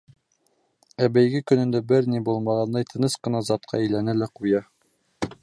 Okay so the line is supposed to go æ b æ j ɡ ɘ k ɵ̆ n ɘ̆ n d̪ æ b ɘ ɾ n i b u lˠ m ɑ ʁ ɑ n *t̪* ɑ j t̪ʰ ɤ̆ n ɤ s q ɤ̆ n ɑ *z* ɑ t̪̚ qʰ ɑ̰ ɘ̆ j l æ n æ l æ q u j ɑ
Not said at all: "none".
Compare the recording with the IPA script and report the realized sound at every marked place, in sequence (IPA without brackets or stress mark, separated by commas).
d̪, z